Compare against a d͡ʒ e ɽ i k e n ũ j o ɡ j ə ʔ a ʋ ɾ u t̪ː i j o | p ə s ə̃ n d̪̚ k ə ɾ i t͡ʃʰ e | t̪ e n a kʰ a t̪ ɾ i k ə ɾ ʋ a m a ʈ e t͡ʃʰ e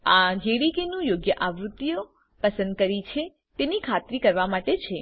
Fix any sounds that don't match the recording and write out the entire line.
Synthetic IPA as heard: a d͡ʒ e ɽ i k e n ũ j o ɡ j ə ʔ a ʋ ɾ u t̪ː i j o | p ə s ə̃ n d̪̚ k ə ɾ i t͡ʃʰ e | t̪ e n i kʰ a t̪ ɾ i k ə ɾ ʋ a m a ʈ e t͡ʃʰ e